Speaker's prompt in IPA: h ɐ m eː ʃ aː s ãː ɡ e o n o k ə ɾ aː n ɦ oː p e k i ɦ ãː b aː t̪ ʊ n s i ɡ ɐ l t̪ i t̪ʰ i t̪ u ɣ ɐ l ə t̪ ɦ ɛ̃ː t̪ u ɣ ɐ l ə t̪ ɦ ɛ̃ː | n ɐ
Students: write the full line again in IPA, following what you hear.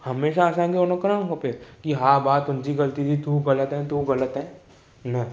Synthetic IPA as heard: h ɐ m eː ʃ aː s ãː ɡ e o n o k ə ɾ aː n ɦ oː p e k i ɦ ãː b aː t̪ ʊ n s i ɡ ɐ l t̪ i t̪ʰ i t̪ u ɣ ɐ l ə t̪ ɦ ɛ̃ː t̪ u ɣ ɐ l ə t̪ ɦ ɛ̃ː | n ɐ